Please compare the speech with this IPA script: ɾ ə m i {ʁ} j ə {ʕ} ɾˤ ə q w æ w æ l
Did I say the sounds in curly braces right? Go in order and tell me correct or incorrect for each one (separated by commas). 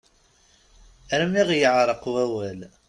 correct, correct